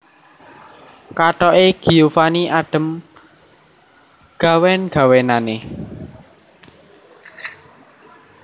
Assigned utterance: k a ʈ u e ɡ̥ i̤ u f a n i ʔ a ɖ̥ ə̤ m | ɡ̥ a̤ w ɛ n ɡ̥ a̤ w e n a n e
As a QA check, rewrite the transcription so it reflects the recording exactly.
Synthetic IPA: k a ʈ ɔ e ɡ̥ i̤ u f a n i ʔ a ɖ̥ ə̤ m | ɡ̥ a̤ w ɛ n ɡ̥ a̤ w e n a n e